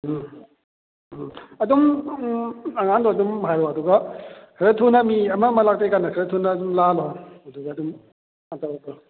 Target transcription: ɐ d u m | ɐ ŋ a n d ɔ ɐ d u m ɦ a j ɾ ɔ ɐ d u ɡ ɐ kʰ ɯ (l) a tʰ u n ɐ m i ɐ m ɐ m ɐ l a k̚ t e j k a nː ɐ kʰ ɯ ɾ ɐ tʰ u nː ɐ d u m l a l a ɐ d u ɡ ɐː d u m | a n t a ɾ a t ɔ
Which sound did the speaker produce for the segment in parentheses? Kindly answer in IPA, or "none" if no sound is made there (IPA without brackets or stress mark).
ɾ